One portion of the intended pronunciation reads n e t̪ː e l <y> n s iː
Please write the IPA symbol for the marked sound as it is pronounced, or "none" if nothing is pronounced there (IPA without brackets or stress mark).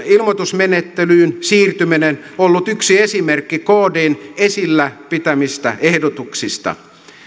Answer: yː